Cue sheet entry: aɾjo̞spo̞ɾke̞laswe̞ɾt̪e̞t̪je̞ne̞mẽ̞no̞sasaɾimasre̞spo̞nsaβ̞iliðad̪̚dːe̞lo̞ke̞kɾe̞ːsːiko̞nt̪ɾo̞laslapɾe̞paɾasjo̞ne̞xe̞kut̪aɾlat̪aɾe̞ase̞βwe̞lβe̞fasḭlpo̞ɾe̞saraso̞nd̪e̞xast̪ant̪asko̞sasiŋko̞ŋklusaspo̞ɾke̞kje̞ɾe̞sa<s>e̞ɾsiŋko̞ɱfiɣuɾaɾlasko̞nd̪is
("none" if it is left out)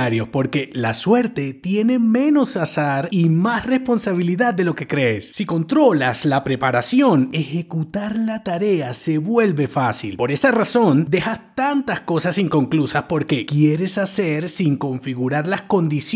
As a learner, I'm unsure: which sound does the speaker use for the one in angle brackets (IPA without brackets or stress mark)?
s